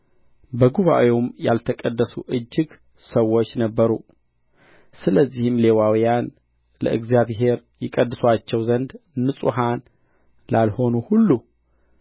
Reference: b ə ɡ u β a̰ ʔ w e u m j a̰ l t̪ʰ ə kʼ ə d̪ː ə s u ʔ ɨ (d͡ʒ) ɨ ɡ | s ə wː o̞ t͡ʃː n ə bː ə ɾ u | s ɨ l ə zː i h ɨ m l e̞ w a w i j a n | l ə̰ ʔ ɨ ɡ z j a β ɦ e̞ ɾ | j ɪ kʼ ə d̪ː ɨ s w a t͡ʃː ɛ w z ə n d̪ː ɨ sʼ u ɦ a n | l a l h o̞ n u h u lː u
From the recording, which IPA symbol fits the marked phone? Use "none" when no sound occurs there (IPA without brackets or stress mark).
d͡ʒː